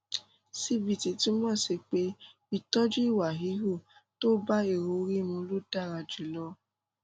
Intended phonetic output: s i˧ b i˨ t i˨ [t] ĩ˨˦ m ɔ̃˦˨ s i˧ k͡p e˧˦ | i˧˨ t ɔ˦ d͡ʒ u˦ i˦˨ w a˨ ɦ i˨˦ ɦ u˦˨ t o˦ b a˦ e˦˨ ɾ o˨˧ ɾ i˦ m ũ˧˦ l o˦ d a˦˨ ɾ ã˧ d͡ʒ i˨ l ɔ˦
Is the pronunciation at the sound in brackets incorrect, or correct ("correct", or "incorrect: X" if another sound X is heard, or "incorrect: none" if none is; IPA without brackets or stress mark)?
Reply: correct